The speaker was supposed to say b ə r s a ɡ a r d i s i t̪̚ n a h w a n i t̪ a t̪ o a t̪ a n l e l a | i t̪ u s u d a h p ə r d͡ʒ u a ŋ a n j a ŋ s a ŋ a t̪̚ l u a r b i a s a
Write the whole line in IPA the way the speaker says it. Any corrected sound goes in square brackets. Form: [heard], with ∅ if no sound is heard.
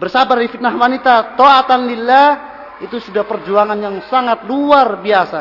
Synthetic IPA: b ə r s a [b] a r d i [f] i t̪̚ n a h w a n i t̪ a t̪ o a t̪ a n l [i] l a | i t̪ u s u d a h p ə r d͡ʒ u a ŋ a n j a ŋ s a ŋ a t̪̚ l u a r b i a s a